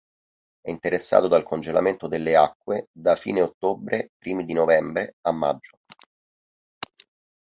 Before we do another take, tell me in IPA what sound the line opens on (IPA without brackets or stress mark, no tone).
ɛ